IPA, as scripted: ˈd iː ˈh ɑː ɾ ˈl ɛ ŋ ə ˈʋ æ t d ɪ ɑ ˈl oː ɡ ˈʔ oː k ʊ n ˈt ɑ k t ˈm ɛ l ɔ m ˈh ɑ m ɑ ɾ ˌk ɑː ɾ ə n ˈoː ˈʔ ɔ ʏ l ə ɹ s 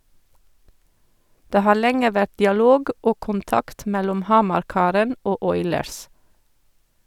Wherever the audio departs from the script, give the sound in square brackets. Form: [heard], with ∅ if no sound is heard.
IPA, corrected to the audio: ˈd [eː] ˈh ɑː ɾ ˈl ɛ ŋ ə ˈʋ æ t d ɪ ɑ ˈl oː ɡ ˈʔ oː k ʊ n ˈt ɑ k t ˈm ɛ l ɔ m ˈh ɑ m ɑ ɾ ˌk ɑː ɾ ə n ˈoː ˈʔ ɔ ʏ l ə ɹ s

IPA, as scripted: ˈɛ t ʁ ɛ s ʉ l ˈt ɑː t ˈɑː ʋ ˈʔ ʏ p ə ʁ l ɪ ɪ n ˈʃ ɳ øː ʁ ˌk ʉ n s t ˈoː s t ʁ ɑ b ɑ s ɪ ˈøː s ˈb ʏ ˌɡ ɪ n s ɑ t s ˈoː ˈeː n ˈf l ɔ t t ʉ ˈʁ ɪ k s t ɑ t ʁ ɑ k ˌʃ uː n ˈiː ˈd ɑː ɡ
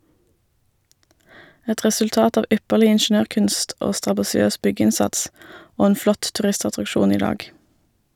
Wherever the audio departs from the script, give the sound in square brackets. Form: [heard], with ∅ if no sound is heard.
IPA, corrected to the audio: ˈɛ t ʁ ɛ s ʉ l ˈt ɑː t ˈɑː ʋ ˈʔ ʏ p ə ʁ l ɪ ɪ n ˈʃ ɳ øː ʁ ˌk ʉ n s t ˈoː s t ʁ ɑ b ɑ s ɪ ˈøː s ˈb ʏ ˌɡ ɪ n s ɑ t s ˈoː ˈeː n ˈf l ɔ t t ʉ ˈʁ ɪ [∅] s t ɑ t ʁ ɑ k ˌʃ uː n ˈiː ˈd ɑː ɡ

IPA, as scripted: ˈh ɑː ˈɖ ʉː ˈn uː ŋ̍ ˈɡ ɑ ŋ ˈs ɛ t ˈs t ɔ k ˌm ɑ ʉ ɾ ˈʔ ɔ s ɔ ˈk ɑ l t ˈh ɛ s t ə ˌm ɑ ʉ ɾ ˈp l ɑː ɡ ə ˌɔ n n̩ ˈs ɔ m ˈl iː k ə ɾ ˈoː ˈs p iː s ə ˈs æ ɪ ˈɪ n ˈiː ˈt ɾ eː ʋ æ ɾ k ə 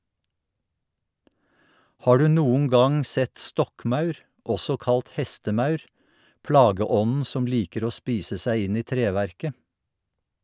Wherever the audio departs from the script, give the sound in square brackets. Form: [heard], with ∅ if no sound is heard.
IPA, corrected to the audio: ˈh ɑː ˈɖ ʉː ˈn uː ŋ̍ ˈɡ ɑ ŋ ˈs ɛ t ˈs t ɔ k ˌm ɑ ʉ ɾ ˈʔ ɔ s ɔ ˈk ɑ l t ˈh ɛ s t ə ˌm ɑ ʉ ɾ ˈp l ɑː ɡ ə ˌɔ n n̩ ˈs ɔ m ˈl iː k ə ɾ ˈoː ˈs p iː s ə ˈs æ ɪ ˈɪ n ˈiː ˈt ɾ eː ʋ æ ɾ k ə

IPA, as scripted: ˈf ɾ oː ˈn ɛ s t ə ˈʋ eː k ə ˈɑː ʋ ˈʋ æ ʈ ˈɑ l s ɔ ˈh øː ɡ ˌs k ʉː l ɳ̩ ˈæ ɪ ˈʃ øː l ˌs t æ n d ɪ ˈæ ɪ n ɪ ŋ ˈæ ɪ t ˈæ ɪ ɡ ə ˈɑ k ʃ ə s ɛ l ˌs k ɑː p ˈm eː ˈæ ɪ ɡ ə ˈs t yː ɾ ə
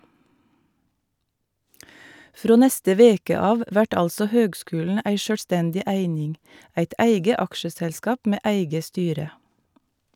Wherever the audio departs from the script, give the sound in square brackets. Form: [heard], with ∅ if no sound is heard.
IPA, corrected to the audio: ˈf ɾ oː ˈn ɛ s t ə ˈʋ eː k ə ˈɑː ʋ ˈʋ æ ʈ ˈɑ l s ɔ ˈh øː ɡ ˌs k ʉː l ɳ̩ ˈæ ɪ ˈʃ øː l ˌs t [ɛ] n d ɪ ˈæ ɪ n ɪ ŋ ˈæ ɪ t ˈæ ɪ ɡ ə ˈɑ k ʃ ə s ɛ l ˌs k ɑː p ˈm eː ˈæ ɪ ɡ ə ˈs t yː ɾ ə

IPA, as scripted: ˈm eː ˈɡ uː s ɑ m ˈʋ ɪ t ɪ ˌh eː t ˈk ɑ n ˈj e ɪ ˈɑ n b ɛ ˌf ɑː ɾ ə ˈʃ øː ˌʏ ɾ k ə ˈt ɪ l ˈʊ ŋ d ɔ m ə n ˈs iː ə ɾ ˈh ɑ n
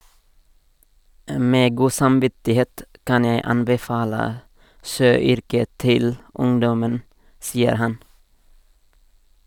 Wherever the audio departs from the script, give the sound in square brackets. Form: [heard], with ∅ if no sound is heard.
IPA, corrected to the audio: ˈm eː ˈɡ uː s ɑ m ˈʋ ɪ t ɪ ˌh eː t ˈk ɑ n ˈj e ɪ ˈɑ n b ɛ ˌf ɑː [l] ə ˈʃ øː ˌʏ ɾ k ə ˈt ɪ l ˈʊ ŋ d ɔ m ə n ˈs iː ə ɾ ˈh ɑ n

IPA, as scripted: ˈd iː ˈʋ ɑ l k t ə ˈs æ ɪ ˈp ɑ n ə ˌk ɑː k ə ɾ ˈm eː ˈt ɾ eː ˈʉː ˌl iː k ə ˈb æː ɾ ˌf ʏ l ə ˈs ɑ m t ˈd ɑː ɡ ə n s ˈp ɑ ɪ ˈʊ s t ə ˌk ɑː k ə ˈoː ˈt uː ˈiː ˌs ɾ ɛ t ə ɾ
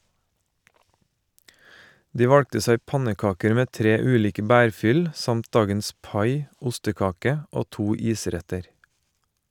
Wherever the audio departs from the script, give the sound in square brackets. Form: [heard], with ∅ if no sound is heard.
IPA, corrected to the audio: ˈd iː ˈʋ ɑ [ɽ] k t ə ˈs æ ɪ ˈp ɑ n ə ˌk ɑː k ə ɾ ˈm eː ˈt ɾ eː ˈʉː ˌl iː k ə ˈb æː ɾ ˌf ʏ l ə ˈs ɑ m t ˈd ɑː ɡ ə n s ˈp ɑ ɪ ˈʊ s t ə ˌk ɑː k ə ˈoː ˈt uː ˈiː ˌs ɾ ɛ t ə ɾ

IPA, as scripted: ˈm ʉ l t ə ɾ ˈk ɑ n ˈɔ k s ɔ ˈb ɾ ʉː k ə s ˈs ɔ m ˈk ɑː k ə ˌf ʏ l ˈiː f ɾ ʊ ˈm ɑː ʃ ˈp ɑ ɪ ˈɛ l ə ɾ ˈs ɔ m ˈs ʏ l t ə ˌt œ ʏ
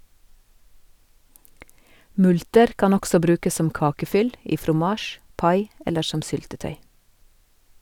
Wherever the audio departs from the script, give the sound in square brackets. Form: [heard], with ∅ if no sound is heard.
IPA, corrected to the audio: ˈm ʉ l t ə ɾ ˈk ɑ n ˈɔ k s ɔ ˈb ɾ ʉː k ə s ˈs ɔ m ˈk ɑː k ə ˌf ʏ l ˈiː f ɾ ʊ ˈm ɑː ʃ ˈp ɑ ɪ ˈɛ l ə ɾ [ˈʃ] ɔ m ˈs ʏ l t ə ˌt œ ʏ

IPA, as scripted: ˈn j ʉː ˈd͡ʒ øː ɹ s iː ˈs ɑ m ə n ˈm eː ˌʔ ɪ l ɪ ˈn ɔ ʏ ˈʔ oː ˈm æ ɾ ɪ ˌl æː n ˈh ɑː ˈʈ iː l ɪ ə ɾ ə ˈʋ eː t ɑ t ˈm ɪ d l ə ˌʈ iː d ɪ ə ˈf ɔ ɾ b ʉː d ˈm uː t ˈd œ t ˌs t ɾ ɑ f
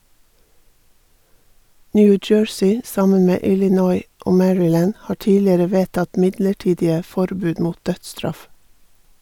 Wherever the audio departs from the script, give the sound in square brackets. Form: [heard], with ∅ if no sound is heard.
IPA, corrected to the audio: ˈn j ʉː ˈd͡ʒ øː ɹ s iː ˈs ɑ m ə n ˈm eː ˌʔ ɪ l ɪ ˈn ɔ ʏ ˈʔ oː ˈm æ [ɹ] ɪ ˌl æː n ˈh ɑː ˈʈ iː l ɪ ə ɾ ə ˈʋ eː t ɑ t ˈm ɪ d l ə ˌʈ iː d ɪ ə ˈf ɔ ɾ b ʉː d ˈm uː t ˈd œ t ˌs t ɾ ɑ f

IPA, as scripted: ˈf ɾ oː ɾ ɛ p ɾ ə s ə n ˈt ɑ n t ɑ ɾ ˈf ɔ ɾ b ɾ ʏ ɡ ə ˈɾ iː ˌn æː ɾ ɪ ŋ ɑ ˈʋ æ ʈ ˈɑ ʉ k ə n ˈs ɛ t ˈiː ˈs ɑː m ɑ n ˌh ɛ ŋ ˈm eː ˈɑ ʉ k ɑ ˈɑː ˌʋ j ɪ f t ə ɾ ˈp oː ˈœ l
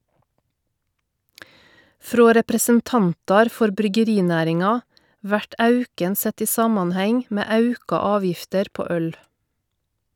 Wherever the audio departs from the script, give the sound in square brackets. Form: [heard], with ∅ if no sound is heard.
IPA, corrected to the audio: ˈf ɾ oː ɾ ɛ p ɾ ə s ə n ˈt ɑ n t ɑ ɾ ˈf ɔ ɾ b ɾ ʏ ɡ ə ˈɾ iː ˌn æː ɾ ɪ ŋ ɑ ˈʋ æ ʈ ˈɑ ʉ k ə n ˈs ɛ t ˈiː ˈs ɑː m ɑ n ˌh ɛ ŋ ˈm eː ˈɑ ʉ k ɑ ˈɑː ˌʋ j ɪ f t ə ɾ ˈp oː ˈœ l

